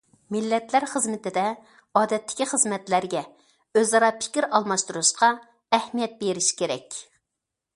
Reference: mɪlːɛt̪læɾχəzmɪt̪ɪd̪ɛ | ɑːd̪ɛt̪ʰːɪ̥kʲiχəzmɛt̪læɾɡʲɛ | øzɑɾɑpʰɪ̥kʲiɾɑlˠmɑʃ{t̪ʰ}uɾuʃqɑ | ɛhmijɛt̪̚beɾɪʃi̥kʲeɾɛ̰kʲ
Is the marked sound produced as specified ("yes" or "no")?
no